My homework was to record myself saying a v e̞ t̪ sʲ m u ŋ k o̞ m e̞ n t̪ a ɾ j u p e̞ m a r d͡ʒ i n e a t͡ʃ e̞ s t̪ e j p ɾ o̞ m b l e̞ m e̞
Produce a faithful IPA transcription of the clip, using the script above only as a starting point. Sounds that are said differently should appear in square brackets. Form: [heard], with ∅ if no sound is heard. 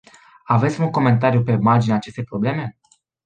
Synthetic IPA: a v e̞ t̪ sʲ m u ŋ k o̞ m e̞ n t̪ a ɾ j u p e̞ m a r d͡ʒ i n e a t͡ʃ e̞ s t̪ e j p ɾ o̞ [∅] b l e̞ m e̞